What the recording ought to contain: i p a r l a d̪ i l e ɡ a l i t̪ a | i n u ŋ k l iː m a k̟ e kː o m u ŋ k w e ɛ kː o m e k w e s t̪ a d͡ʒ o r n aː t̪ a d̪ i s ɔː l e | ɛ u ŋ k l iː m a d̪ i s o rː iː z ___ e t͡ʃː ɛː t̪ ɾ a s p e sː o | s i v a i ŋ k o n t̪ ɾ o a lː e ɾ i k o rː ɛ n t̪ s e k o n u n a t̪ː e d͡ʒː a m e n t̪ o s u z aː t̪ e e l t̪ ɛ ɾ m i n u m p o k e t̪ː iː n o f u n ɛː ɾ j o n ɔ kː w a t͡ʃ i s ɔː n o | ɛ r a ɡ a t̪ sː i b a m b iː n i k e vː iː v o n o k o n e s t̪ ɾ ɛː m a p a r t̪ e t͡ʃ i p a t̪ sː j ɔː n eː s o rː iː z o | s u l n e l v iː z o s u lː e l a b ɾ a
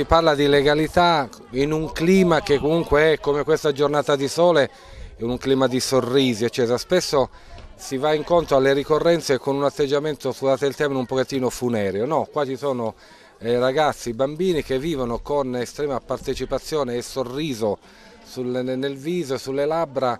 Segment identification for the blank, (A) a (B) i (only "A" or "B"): B